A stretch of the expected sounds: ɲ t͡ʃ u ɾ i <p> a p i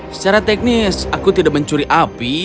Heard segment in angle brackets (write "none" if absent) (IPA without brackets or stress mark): ʔ